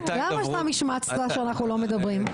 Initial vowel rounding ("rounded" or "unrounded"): unrounded